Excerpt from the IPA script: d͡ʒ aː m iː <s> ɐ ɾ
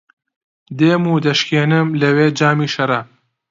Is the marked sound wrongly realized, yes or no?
yes